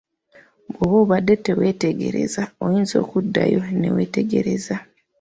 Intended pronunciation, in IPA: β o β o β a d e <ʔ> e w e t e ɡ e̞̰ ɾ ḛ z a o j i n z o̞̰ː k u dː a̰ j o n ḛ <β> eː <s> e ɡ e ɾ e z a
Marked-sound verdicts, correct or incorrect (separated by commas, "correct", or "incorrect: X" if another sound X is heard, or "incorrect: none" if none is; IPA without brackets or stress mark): incorrect: t, incorrect: w, incorrect: t